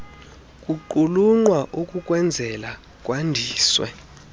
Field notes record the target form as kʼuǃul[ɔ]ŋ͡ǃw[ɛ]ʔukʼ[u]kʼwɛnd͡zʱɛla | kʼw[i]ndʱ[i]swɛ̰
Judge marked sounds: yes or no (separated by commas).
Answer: no, no, yes, no, no